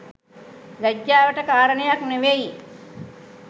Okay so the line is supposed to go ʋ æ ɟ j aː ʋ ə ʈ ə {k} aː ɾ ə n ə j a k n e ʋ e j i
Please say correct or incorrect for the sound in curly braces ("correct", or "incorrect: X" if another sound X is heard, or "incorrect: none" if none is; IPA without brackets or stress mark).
correct